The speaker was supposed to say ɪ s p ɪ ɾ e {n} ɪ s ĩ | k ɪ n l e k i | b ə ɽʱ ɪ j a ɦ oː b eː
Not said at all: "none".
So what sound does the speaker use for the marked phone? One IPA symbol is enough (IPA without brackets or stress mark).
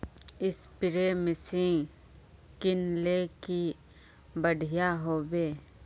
m